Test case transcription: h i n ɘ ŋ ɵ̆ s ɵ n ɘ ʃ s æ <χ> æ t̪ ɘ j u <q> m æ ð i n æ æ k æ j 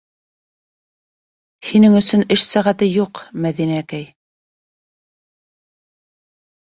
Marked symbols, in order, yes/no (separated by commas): no, yes